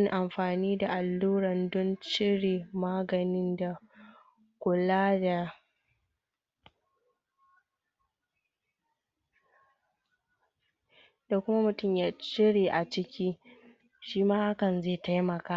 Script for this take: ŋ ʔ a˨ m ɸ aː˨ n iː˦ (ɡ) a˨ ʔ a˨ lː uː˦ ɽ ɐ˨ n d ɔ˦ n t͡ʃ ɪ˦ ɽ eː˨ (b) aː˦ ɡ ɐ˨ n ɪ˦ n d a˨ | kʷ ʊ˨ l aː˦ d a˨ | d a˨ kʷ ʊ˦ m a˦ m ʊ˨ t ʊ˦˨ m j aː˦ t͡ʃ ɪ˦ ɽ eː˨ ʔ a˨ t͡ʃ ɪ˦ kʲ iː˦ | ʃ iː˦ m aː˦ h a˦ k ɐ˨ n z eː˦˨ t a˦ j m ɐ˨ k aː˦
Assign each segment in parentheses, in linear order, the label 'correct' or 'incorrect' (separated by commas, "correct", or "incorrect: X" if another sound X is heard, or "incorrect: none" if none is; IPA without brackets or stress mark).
incorrect: d, incorrect: m